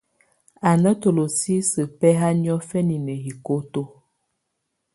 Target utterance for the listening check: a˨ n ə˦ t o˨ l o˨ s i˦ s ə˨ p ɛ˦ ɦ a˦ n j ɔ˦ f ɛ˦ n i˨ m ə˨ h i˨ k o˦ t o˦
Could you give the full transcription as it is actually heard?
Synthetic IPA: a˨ n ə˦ t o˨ l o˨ s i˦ s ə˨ p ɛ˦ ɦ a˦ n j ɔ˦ f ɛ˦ n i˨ n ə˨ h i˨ k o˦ t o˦